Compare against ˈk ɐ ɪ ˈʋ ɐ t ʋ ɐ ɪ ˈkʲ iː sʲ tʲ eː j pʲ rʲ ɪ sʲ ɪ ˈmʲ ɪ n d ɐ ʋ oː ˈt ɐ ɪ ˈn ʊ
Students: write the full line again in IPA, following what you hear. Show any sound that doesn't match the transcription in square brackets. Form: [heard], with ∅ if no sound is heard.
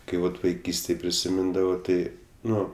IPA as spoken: ˈk ɐ ɪ ˈʋ ɐ t ʋ ɐ ɪ ˈkʲ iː sʲ tʲ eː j pʲ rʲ ɪ sʲ ɪ ˈmʲ ɪ n d ɐ ʋ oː ˈt ɐ ɪ ˈn ʊ